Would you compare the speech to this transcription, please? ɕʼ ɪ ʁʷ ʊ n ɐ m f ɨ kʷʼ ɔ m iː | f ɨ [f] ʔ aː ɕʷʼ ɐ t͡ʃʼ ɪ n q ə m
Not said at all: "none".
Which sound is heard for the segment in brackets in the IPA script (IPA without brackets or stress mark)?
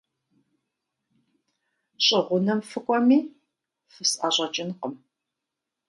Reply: s